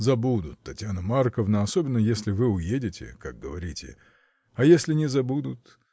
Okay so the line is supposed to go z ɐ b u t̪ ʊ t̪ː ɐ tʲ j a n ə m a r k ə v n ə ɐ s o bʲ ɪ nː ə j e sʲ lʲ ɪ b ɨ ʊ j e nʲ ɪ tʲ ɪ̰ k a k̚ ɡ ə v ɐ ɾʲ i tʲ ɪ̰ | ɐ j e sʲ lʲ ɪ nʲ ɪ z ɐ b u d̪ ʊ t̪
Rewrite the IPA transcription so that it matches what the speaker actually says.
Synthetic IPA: z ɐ b u d̪ ʊ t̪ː ɐ tʲ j a n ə m a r k ə v n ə ɐ s o bʲ ɪ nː ə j e sʲ lʲ ɪ v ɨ ʊ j e dʲ ɪ tʲ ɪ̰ k a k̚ ɡ ə v ɐ ɾʲ i tʲ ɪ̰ | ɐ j e sʲ lʲ ɪ nʲ ɪ z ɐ b u d̪ ʊ t̪

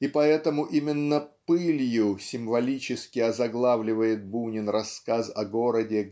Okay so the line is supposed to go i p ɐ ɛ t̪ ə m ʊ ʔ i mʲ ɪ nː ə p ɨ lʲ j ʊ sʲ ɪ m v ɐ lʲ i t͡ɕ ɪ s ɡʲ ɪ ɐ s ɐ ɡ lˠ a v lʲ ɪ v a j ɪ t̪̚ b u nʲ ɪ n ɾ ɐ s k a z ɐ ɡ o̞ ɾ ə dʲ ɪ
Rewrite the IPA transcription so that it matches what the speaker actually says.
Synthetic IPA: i p ɐ ɛ t̪ ə m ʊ ʔ i mʲ ɪ nː ə p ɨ lʲ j ʊ sʲ ɪ m v ɐ lʲ i t͡ɕ ɪ s kʲ ɪ ɐ z ɐ ɡ lˠ a v lʲ ɪ v ə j ɪ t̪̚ b u nʲ ɪ n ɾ ɐ s k a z ɐ ɡ o̞ ɾ ə dʲ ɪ

